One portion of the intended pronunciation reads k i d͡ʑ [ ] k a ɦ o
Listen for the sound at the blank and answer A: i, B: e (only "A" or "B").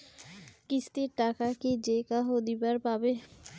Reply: B